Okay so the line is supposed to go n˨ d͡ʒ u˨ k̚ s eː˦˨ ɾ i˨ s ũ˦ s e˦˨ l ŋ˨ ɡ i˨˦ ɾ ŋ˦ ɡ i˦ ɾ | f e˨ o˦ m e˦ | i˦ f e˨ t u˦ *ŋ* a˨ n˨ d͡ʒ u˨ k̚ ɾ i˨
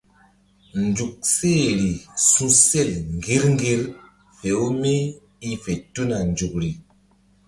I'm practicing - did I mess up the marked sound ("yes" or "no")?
yes